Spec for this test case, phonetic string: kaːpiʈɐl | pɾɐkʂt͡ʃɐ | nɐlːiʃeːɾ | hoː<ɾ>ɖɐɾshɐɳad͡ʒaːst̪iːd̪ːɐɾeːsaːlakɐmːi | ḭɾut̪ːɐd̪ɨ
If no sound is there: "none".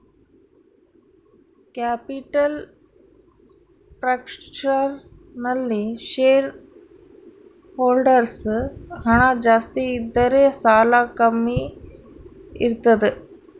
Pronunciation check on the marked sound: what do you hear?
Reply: l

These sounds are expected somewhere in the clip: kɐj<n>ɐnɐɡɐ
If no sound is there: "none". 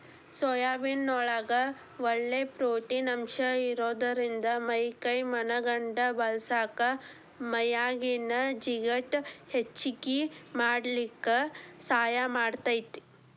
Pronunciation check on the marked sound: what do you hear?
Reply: m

